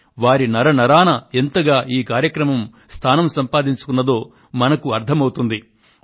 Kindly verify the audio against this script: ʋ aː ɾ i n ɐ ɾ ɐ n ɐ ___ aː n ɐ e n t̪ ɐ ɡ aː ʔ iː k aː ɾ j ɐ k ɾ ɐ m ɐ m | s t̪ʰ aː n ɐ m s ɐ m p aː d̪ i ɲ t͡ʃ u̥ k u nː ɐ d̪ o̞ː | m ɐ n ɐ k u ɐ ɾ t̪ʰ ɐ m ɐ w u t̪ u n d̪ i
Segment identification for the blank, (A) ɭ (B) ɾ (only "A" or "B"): B